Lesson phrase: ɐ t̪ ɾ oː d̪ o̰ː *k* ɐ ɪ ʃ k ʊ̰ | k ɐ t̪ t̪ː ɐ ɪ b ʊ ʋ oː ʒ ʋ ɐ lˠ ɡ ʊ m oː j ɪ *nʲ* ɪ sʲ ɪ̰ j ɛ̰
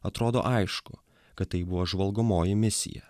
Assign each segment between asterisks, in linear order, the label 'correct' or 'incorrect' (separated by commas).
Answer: incorrect, incorrect